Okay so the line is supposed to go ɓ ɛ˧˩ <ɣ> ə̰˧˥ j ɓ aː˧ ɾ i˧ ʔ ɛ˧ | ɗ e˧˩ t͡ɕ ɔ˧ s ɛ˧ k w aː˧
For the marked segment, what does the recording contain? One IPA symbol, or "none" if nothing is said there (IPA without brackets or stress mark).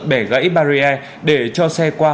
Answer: ɣ